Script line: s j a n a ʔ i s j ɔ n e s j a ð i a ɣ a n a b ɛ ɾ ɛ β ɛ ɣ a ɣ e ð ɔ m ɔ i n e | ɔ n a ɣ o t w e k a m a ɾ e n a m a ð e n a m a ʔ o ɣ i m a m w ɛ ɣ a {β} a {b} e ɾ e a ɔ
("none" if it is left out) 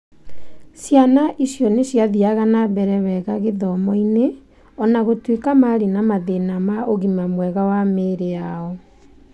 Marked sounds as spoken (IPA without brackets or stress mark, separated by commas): w, m